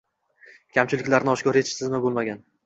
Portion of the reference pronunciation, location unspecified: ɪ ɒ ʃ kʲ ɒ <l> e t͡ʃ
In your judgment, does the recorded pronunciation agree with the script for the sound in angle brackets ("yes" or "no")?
no